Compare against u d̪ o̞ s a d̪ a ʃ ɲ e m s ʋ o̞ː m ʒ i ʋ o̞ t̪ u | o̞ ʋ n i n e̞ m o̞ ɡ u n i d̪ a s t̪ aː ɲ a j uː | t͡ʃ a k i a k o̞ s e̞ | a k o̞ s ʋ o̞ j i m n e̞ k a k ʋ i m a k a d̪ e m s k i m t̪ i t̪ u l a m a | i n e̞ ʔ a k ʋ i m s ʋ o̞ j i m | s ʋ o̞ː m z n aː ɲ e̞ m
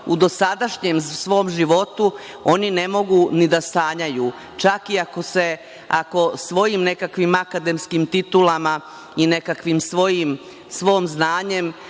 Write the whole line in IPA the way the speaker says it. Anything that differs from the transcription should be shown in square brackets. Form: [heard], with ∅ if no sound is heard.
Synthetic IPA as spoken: u d̪ o̞ s a d̪ a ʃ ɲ e m s ʋ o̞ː m ʒ i ʋ o̞ t̪ u | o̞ [∅] n i n e̞ m o̞ ɡ u n i d̪ a s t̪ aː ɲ a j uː | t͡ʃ a k i a k o̞ s e̞ | a k o̞ s ʋ o̞ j i m n e̞ k a k ʋ i m a k a d̪ e m s k i m t̪ i t̪ u l a m a | i n e̞ [k] a k ʋ i m s ʋ o̞ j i m | s ʋ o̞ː m z n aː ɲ e̞ m